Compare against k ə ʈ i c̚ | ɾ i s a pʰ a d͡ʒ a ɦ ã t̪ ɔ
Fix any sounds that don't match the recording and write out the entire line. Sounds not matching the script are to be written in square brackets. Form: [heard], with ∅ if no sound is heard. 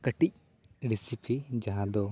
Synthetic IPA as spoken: k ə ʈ i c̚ | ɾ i s [i] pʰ [i] d͡ʒ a ɦ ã [d̪] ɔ

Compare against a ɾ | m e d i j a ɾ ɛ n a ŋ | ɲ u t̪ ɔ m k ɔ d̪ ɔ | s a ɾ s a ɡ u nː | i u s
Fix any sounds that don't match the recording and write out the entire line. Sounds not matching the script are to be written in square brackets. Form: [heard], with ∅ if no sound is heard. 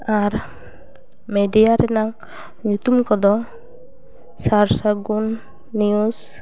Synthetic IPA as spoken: a ɾ | m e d i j a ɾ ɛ n a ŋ | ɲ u t̪ [u] m k ɔ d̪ ɔ | s a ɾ s a ɡ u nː | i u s

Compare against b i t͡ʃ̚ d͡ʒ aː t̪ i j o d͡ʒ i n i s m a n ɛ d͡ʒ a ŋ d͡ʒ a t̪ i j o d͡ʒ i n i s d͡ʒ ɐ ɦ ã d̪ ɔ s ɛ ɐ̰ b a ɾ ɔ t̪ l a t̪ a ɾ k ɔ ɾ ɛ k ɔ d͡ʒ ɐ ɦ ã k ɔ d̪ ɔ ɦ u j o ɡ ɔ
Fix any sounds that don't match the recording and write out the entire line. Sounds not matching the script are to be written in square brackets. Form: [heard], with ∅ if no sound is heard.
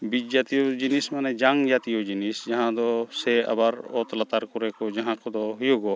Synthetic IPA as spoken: b i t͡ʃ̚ d͡ʒ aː t̪ i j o d͡ʒ i n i s m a n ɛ d͡ʒ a ŋ d͡ʒ a t̪ i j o d͡ʒ i n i s d͡ʒ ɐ ɦ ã d̪ ɔ s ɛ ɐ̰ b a ɾ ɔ t̪ l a t̪ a ɾ k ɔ ɾ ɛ k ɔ d͡ʒ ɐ ɦ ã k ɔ d̪ ɔ ɦ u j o ɡ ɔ

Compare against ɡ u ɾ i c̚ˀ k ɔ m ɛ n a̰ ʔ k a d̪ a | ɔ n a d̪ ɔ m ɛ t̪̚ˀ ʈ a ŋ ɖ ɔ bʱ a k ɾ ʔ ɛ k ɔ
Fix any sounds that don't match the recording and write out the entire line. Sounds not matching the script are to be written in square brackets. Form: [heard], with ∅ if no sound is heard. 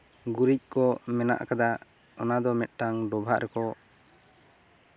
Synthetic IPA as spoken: ɡ u ɾ i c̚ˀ k ɔ m ɛ n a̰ ʔ k a d̪ a | ɔ n a d̪ ɔ m ɛ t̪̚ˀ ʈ a ŋ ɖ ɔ bʱ a [ʔ] ɾ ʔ ɛ k ɔ

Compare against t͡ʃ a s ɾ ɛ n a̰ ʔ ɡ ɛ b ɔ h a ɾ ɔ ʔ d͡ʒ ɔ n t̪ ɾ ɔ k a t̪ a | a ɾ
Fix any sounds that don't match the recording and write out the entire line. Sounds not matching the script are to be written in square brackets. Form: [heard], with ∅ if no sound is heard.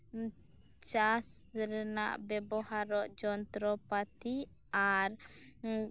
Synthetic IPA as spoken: t͡ʃ a s ɾ ɛ n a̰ ʔ [b] ɛ b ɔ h a ɾ ɔ ʔ d͡ʒ ɔ n t̪ ɾ ɔ [p] a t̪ [i] | a ɾ

